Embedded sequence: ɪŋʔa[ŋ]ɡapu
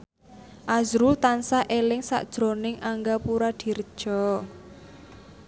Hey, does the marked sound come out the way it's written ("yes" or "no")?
yes